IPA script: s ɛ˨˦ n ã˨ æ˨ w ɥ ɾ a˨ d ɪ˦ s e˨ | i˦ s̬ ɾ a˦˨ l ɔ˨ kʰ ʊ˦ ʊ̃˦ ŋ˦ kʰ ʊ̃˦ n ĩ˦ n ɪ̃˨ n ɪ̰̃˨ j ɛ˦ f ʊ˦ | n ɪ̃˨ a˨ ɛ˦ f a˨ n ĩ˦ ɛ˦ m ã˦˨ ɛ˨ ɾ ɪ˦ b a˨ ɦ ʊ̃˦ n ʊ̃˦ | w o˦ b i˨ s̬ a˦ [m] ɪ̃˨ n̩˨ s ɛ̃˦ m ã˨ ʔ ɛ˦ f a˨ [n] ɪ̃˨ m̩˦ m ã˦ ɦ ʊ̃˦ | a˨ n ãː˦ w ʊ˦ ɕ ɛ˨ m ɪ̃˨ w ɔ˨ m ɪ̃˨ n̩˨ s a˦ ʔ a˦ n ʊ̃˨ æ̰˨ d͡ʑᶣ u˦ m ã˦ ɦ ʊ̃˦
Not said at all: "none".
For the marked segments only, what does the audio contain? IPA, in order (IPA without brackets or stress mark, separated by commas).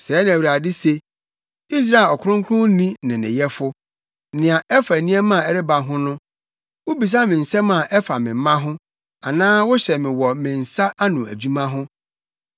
m, m